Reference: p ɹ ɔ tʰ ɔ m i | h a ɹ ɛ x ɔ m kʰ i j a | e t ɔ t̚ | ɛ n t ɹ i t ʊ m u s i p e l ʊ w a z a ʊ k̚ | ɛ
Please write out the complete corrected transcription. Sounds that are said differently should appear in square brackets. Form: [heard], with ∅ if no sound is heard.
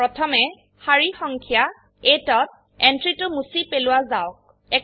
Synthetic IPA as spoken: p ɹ ɔ tʰ ɔ m [ɛ] | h a ɹ [i] x ɔ [ŋ] kʰ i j a | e t ɔ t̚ | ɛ n t ɹ i t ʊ m u s i p e l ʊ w a z a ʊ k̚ | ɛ

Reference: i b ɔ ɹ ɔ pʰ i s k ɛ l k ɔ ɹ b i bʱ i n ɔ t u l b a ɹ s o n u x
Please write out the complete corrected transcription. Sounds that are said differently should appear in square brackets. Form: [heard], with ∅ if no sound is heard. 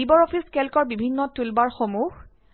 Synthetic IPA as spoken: i b ɔ ɹ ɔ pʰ i s k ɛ l k ɔ ɹ b i bʱ i [nː] ɔ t u l b a ɹ [x] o [m] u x

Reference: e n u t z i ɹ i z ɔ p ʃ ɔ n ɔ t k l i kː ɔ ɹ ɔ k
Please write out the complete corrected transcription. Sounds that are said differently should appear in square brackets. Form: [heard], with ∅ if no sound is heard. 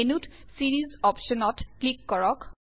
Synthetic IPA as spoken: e n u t [s] i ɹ i z ɔ p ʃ ɔ n ɔ t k l i kː ɔ ɹ ɔ k

